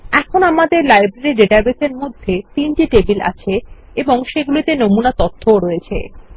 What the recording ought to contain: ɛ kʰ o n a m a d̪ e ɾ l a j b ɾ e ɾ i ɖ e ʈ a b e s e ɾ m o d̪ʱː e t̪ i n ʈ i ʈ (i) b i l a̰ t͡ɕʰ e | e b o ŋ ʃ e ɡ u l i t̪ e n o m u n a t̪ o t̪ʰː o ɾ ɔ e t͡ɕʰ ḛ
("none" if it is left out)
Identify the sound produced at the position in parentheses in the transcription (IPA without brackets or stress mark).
e